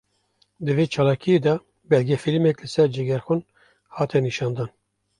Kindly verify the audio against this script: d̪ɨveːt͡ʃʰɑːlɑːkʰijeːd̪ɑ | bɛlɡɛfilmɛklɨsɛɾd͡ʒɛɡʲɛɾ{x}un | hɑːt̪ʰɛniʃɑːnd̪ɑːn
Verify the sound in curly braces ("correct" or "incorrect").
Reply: correct